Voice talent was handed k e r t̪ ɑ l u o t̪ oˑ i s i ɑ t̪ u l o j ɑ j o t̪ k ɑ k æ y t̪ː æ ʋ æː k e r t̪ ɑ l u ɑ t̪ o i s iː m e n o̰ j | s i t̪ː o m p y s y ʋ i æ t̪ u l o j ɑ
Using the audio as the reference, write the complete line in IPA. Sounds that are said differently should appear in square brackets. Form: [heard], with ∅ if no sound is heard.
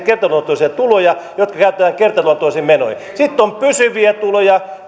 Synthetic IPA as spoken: k e r t̪ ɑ l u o t̪ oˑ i s i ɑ t̪ u l o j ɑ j o t̪ k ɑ k æ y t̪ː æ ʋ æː k e r t̪ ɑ l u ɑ t̪ o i s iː m e n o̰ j | s i t̪ː o m p y s y ʋ i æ t̪ u l o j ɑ

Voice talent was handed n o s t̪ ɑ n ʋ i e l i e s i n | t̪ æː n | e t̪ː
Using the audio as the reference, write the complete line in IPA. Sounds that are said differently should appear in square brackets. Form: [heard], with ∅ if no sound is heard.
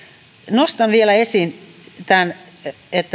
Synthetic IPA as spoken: n o s t̪ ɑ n ʋ i e l [æ] e s i n | t̪ [æ] n | e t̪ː

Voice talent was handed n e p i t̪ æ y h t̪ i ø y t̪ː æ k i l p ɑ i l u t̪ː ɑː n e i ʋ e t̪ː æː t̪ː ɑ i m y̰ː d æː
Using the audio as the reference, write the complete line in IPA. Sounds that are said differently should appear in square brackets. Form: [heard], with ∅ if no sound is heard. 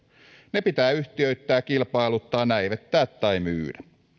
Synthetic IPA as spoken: n e p i t̪ [æː] y h t̪ i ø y t̪ː [æː] k i l p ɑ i l u t̪ː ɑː n [æ] i ʋ e t̪ː æː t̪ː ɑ i m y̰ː d [æ]

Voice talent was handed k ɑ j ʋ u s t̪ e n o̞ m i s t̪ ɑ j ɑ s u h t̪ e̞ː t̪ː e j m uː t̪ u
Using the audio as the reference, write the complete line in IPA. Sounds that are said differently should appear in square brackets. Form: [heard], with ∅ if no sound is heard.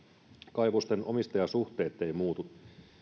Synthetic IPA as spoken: k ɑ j ʋ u s t̪ e n o̞ m i s t̪ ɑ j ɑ s u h t̪ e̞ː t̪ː e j m uː t̪ u

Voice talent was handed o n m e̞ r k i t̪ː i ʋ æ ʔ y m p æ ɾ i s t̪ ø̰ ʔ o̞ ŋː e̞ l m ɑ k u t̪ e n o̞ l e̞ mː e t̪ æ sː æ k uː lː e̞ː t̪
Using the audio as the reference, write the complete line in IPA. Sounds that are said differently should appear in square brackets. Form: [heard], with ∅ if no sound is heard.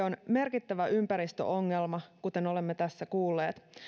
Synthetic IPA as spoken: o n m e̞ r k i t̪ː [æ] ʋ æ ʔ y m p æ ɾ i s t̪ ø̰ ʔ o̞ ŋː e̞ l m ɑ k u t̪ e n o̞ l e̞ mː e t̪ æ sː æ k uː lː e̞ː t̪

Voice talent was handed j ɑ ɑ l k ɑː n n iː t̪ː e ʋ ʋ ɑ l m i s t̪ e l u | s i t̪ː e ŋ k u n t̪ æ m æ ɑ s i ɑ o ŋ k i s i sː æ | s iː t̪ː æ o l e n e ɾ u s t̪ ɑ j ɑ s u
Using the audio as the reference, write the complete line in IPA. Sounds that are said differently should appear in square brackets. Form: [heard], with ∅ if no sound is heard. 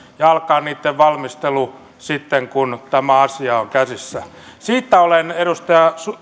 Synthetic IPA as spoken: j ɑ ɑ l k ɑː n n iː t̪ː e ʋ ʋ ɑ l m i s t̪ e l u | s i t̪ː e ŋ k u n t̪ æ m æ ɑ s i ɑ o ŋ k [æ] s i sː æ | s iː t̪ː æ o l e n e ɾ u s t̪ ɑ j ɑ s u

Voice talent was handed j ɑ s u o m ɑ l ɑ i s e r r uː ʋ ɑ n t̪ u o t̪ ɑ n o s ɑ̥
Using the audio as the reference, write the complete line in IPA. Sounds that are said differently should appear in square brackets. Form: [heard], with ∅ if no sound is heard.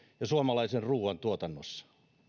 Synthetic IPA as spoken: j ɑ s u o m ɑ l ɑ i s e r r uː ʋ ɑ n t̪ u o t̪ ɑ [nː] o [sː] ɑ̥

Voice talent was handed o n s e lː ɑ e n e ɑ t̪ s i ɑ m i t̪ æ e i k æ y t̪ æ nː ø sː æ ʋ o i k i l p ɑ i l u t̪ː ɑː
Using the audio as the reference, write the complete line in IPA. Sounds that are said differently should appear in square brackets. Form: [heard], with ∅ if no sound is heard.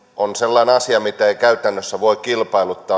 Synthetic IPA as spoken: o n s e lː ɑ [i] n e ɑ [∅] s i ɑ m i t̪ æ e i k æ y t̪ æ nː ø sː æ ʋ o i k i l p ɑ i l u t̪ː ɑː

